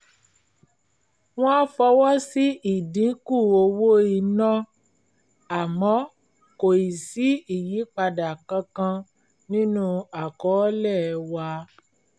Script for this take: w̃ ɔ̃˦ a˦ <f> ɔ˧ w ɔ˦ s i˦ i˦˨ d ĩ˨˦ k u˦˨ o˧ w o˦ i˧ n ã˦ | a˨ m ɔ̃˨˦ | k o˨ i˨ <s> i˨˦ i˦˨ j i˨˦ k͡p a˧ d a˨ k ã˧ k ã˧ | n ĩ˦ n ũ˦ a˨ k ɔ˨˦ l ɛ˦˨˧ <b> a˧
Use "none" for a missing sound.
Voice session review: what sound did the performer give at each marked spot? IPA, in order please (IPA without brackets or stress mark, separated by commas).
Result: f, s, w